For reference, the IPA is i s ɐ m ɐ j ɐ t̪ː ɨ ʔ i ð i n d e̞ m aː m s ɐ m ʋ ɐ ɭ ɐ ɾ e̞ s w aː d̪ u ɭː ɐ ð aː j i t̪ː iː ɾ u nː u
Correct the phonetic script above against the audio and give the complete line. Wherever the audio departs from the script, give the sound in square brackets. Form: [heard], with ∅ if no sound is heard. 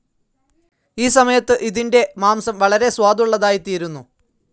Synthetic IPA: [iː] s ɐ m ɐ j ɐ t̪ː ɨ ʔ i ð i n d e̞ m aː m s ɐ m ʋ ɐ ɭ ɐ ɾ e̞ s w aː d̪ u ɭː ɐ ð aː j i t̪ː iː ɾ u nː u